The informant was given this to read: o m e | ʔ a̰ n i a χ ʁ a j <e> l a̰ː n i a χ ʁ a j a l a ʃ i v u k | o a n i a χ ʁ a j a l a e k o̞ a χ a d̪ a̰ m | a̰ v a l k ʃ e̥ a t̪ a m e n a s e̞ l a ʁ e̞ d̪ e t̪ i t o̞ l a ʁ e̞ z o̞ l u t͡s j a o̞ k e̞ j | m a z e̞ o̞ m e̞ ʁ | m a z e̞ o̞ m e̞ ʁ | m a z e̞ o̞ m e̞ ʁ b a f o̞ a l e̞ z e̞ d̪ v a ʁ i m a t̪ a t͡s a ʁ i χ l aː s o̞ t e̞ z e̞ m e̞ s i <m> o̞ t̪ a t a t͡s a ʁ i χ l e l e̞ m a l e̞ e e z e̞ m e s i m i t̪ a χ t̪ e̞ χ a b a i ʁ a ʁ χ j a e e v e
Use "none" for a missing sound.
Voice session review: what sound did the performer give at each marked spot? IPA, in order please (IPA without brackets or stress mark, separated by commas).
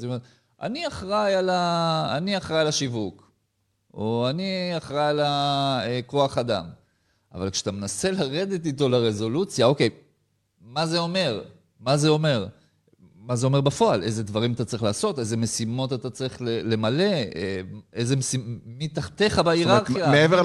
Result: a, m